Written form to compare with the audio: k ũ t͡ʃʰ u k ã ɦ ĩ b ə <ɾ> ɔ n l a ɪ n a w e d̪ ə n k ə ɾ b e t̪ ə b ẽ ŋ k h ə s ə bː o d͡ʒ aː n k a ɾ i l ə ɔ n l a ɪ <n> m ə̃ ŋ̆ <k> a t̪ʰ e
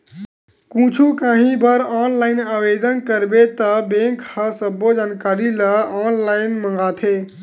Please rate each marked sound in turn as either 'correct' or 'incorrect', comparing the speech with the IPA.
correct, correct, incorrect: ɡ

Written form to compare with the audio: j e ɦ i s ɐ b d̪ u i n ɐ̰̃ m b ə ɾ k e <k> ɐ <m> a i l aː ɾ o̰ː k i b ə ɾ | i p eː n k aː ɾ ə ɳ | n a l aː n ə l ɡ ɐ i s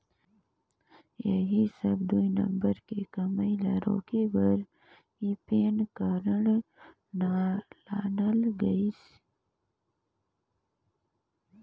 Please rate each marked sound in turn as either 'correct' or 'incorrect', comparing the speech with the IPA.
correct, correct

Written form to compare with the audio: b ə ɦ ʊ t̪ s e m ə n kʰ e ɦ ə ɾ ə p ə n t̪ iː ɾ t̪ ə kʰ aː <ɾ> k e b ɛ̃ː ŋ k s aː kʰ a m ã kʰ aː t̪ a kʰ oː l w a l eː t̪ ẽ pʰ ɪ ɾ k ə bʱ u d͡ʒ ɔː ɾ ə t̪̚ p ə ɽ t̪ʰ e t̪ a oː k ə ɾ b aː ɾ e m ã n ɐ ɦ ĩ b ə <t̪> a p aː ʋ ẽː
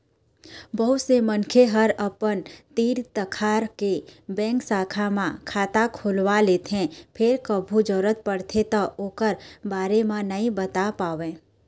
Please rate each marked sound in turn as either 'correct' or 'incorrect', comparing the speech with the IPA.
correct, correct

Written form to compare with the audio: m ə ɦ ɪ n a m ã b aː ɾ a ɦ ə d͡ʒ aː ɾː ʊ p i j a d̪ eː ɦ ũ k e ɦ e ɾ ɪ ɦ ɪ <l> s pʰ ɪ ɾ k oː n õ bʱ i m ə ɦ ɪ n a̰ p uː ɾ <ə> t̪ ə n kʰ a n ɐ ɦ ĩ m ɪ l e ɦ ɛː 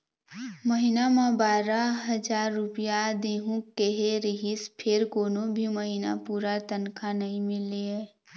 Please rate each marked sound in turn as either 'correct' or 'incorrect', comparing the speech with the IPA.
incorrect: none, incorrect: a

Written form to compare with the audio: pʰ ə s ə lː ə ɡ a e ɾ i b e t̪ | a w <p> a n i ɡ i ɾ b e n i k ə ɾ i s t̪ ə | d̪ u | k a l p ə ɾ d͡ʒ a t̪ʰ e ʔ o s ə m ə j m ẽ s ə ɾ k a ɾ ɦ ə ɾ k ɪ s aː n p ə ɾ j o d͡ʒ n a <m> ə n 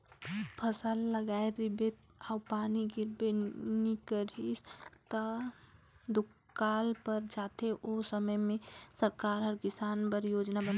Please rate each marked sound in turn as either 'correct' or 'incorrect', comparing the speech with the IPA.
correct, incorrect: b

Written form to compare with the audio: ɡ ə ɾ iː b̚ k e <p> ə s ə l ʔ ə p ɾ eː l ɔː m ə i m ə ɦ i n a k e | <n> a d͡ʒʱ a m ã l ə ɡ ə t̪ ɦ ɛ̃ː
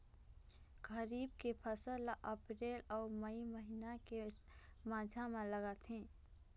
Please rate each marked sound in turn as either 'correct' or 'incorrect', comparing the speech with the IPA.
incorrect: pʰ, incorrect: m

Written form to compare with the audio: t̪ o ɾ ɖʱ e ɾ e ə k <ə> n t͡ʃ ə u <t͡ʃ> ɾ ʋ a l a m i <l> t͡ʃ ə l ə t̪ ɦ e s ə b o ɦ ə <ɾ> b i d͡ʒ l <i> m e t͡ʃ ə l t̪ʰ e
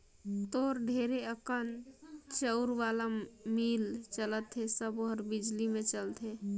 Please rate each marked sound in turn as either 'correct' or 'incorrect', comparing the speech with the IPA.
correct, incorrect: none, correct, correct, correct

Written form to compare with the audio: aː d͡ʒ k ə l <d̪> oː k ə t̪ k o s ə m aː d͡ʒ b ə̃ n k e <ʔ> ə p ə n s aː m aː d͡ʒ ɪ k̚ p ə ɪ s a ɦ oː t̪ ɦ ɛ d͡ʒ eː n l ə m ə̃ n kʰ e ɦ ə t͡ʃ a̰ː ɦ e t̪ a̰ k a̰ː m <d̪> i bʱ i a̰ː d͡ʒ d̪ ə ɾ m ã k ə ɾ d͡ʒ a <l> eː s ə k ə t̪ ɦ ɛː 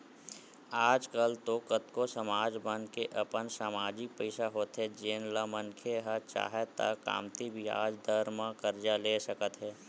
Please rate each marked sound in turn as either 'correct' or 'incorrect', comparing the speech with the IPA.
incorrect: t̪, correct, incorrect: t̪, correct

